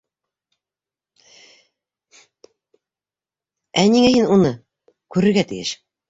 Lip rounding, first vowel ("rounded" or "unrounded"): unrounded